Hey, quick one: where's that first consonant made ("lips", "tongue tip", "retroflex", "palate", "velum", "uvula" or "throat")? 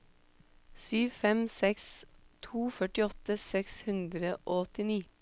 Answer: tongue tip